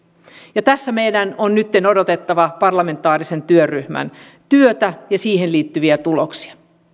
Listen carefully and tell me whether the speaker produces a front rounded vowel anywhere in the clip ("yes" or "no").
yes